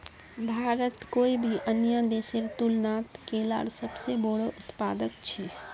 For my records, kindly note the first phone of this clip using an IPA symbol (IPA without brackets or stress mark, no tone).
bʱ